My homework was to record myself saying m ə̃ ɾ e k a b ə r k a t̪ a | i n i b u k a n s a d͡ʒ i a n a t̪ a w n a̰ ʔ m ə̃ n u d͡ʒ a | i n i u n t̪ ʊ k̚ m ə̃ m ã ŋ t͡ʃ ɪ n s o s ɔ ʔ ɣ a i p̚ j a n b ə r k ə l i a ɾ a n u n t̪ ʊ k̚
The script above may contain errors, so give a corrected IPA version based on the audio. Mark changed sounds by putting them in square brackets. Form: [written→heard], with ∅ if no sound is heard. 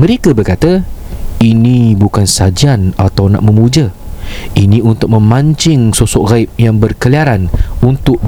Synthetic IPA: m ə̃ ɾ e k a b ə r k a t̪ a | i n i b u k a n s a d͡ʒ i a n a t̪ a w n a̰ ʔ m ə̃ [n→m] u d͡ʒ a | i n i u n t̪ ʊ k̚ m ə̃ m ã [ŋ→ɲ] t͡ʃ ɪ [n→ŋ] s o s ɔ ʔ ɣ a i p̚ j a [n→ŋ] b ə r k ə l i a ɾ a n u n t̪ ʊ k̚